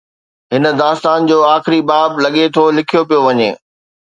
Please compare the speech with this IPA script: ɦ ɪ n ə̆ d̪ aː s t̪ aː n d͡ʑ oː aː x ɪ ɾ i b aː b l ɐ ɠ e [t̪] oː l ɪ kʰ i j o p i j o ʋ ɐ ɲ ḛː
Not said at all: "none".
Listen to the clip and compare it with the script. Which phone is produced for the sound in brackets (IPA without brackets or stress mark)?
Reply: t̪ʰ